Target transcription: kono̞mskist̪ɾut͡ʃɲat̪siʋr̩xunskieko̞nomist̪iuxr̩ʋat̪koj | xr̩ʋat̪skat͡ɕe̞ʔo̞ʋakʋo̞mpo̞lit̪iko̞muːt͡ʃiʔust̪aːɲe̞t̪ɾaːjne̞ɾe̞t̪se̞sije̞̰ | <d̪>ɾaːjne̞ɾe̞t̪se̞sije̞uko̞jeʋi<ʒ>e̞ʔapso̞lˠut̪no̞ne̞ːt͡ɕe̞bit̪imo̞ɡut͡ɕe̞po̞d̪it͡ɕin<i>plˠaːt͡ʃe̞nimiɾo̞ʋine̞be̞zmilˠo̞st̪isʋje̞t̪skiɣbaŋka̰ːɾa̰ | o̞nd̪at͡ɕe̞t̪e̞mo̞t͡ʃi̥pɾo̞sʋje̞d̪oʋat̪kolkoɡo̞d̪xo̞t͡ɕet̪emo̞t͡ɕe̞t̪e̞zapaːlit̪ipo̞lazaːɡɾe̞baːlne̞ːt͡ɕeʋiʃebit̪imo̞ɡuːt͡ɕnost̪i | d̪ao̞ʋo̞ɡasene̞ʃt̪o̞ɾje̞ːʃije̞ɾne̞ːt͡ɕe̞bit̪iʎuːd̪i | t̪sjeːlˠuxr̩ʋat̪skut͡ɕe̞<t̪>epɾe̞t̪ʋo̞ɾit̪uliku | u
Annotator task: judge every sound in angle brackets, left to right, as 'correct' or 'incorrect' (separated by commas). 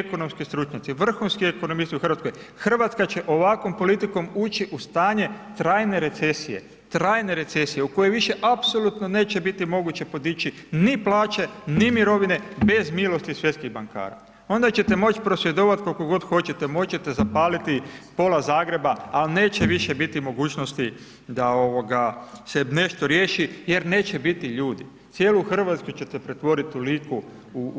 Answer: incorrect, incorrect, correct, correct